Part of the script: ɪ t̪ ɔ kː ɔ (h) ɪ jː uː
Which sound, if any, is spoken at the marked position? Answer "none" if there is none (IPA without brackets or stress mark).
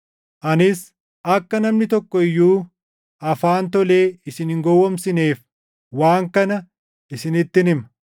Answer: none